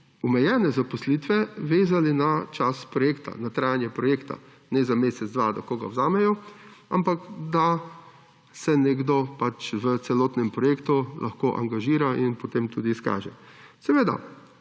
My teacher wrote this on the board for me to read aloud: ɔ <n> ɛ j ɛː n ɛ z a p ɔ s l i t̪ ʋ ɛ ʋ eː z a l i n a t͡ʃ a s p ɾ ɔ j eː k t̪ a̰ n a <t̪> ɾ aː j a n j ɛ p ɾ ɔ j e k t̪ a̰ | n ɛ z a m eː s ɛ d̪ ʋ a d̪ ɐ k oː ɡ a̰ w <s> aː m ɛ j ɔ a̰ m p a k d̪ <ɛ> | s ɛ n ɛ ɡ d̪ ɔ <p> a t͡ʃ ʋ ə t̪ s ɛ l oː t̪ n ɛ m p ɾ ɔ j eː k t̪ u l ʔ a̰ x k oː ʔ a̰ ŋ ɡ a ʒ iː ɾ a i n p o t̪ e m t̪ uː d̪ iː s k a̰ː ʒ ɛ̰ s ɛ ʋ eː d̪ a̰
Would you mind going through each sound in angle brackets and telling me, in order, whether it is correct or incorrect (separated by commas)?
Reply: incorrect, correct, incorrect, incorrect, correct